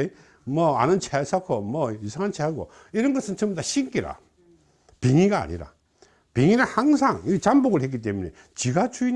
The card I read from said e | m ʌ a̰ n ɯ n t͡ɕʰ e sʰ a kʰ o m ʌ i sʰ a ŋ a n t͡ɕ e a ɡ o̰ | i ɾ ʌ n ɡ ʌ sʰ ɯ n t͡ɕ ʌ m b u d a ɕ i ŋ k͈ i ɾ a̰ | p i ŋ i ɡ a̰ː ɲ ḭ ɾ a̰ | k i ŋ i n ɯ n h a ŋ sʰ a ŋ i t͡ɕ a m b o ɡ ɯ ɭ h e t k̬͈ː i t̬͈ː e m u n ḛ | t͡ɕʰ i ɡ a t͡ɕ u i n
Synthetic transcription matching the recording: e | m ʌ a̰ n ɯ n t͡ɕʰ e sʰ a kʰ o m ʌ i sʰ a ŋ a n t͡ɕʰ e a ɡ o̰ | i ɾ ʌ n ɡ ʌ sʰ ɯ n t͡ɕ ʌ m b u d a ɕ i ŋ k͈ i ɾ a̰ | p i ŋ i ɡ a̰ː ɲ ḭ ɾ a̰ | p i ŋ i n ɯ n h a ŋ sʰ a ŋ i t͡ɕ a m b o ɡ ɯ ɭ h e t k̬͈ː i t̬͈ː e m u n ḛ | t͡ɕ i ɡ a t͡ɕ u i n